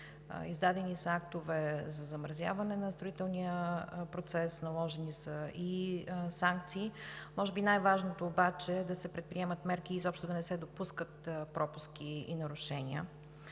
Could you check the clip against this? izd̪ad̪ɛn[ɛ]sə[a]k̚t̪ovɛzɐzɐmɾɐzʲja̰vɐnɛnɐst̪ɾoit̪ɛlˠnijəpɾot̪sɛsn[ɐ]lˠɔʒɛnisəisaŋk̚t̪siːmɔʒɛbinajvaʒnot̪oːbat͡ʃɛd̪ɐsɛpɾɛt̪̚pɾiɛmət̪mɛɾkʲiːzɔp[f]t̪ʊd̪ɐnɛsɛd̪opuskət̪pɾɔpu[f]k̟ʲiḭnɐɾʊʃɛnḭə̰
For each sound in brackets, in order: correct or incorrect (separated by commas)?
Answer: incorrect, correct, correct, incorrect, incorrect